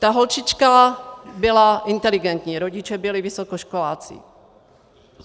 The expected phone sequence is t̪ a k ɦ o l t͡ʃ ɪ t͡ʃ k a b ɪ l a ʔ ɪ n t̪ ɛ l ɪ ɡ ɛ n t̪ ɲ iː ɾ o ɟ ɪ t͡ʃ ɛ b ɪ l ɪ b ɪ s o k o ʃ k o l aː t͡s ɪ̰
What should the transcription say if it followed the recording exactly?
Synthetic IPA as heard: t̪ a ɦ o l t͡ʃ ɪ t͡ʃ k a b ɪ l a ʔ ɪ n t̪ ɛ l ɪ ɡ ɛ n t̪ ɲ iː ɾ o ɟ ɪ t͡ʃ ɛ b ɪ l ɪ v ɪ s o k o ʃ k o l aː t͡s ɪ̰